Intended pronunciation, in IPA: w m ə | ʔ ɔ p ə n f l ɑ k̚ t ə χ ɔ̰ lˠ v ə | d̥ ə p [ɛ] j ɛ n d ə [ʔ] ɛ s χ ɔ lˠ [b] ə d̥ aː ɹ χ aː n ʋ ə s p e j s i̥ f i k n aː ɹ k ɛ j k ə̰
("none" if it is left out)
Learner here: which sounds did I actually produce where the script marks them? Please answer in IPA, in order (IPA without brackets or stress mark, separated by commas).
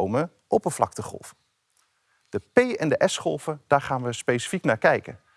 e, ʔ, v